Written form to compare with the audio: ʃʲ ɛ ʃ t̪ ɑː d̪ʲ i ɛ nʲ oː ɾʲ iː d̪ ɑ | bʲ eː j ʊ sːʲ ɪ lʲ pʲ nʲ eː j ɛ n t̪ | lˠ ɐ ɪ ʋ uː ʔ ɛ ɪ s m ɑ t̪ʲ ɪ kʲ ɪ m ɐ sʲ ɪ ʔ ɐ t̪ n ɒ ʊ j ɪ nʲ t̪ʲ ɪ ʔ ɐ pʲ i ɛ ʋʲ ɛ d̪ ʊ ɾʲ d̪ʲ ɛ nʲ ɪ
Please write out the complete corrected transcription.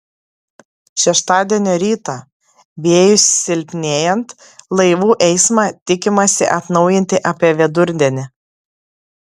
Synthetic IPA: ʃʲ ɛ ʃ t̪ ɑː d̪ʲ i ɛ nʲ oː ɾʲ iː t̪ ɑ | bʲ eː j ʊ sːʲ ɪ lʲ pʲ nʲ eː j ɛ n t̪ | lˠ ɐ ɪ ʋ uː ʔ ɛ ɪ s m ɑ t̪ʲ ɪ kʲ ɪ m ɐ sʲ ɪ ʔ ɐ t̪ n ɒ ʊ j ɪ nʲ t̪ʲ ɪ ʔ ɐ pʲ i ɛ ʋʲ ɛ d̪ ʊ ɾʲ d̪ʲ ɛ nʲ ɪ